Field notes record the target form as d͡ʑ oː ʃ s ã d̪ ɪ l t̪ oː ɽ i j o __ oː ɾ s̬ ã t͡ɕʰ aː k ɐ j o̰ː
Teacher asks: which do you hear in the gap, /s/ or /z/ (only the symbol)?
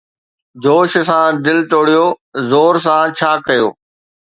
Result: z